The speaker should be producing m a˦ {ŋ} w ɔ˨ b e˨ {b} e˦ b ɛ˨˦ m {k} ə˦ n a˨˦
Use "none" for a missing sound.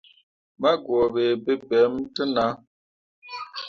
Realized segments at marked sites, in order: ɡ, b, t

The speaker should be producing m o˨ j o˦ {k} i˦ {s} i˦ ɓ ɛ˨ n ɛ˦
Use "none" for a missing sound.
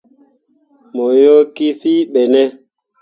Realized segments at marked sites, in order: k, f

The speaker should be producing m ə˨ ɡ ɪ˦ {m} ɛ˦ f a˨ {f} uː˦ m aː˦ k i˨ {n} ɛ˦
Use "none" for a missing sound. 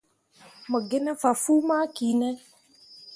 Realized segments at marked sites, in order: n, f, n

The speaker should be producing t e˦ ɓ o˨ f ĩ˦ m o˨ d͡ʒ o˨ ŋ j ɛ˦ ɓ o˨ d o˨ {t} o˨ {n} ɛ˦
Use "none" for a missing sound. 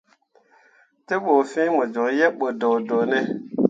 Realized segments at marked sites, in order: d, n

